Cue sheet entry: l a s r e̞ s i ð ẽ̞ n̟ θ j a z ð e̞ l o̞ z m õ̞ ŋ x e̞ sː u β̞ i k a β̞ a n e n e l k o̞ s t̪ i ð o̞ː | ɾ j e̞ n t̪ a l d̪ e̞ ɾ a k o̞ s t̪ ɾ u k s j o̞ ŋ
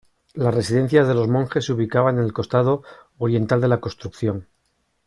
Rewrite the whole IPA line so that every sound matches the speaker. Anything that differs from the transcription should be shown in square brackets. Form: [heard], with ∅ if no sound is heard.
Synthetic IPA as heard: l a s r e̞ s i ð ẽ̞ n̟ θ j a z ð e̞ l o̞ z m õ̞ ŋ x e̞ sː u β̞ i k a β̞ a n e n e l k o̞ s t̪ [a] ð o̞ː | ɾ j e̞ n t̪ a l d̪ e̞ [l] a k o̞ s t̪ ɾ u k [θ] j o̞ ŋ